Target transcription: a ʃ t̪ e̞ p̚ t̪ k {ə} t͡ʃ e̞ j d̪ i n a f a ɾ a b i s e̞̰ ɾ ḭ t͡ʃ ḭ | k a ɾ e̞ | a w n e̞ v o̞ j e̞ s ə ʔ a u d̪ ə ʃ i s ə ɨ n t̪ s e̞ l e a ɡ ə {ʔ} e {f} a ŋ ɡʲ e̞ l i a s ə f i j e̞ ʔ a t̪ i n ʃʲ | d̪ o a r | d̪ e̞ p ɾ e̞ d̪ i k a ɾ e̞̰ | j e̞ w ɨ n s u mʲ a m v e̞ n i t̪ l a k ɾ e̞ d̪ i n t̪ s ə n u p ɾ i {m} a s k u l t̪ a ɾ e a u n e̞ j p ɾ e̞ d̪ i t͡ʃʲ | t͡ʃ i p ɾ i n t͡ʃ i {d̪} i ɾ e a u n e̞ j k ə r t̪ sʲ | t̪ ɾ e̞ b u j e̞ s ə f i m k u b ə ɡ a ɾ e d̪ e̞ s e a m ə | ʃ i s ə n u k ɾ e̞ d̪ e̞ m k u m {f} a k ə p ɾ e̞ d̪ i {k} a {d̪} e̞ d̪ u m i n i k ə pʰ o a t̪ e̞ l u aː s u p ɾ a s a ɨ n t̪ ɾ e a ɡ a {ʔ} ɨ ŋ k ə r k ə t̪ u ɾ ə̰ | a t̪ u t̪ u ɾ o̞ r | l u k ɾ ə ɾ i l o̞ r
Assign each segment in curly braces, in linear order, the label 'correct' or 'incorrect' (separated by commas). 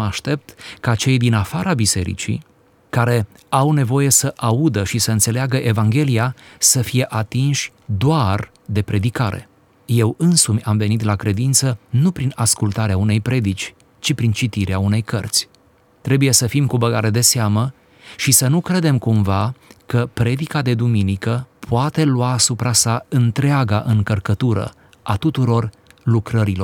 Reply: incorrect, correct, incorrect, incorrect, incorrect, incorrect, correct, correct, correct